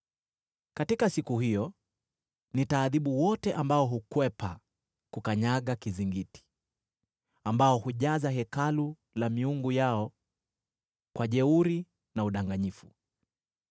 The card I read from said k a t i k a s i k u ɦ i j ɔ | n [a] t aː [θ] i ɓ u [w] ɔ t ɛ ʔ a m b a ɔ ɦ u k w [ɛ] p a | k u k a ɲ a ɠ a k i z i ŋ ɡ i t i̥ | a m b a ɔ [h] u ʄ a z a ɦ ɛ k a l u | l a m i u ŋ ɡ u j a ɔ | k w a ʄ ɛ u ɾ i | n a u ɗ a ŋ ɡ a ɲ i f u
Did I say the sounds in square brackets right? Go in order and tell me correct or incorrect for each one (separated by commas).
incorrect, incorrect, correct, correct, correct